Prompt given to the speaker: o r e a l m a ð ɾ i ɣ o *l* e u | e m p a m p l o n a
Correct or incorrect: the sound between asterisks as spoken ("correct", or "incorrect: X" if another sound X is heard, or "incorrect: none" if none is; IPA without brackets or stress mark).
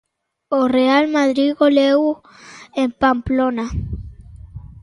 correct